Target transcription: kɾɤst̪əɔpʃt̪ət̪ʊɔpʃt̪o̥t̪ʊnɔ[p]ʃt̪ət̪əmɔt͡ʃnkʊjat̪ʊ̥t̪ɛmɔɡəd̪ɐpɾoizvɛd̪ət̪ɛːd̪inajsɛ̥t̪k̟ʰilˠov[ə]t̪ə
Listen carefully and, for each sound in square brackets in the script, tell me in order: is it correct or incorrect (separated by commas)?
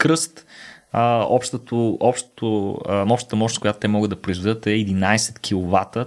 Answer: correct, incorrect